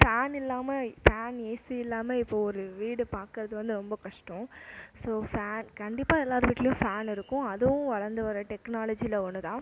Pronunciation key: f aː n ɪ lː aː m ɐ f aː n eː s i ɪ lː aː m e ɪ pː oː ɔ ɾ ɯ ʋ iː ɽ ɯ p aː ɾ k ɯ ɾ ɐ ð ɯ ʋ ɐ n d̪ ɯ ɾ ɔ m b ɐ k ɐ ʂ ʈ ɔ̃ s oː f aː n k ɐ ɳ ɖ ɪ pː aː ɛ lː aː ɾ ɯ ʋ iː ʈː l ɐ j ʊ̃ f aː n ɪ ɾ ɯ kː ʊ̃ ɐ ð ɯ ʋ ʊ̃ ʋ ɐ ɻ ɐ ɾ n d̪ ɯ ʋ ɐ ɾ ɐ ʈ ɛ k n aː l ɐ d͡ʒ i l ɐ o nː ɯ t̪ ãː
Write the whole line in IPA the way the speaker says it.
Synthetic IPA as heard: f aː n ɪ lː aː m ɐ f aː n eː s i ɪ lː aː m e ɪ pː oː ɔ ɾ ɯ ʋ iː ɽ ɯ p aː ɾ k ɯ ɾ ɐ ð ɯ ʋ ɐ n d̪ ɯ ɾ ɔ m b ɐ k ɐ ʂ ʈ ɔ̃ s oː f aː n k ɐ ɳ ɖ ɪ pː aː ɛ lː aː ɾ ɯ ʋ iː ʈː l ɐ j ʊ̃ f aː n ɪ ɾ ɯ kː ʊ̃ ɐ ð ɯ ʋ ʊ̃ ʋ ɐ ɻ ɐ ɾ n d̪ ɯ ʋ ɐ ɾ ɐ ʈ ɛ k n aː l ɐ d͡ʒ i l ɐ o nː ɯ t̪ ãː